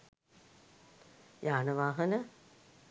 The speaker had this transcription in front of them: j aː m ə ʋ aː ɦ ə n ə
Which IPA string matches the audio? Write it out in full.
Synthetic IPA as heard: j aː n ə ʋ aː ɦ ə n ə